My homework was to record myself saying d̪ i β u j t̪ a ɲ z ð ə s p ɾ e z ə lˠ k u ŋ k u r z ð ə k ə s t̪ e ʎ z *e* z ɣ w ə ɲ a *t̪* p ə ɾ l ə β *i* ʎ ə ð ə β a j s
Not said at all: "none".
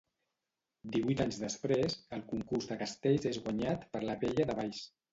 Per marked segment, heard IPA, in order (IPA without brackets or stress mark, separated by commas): e, t̪, e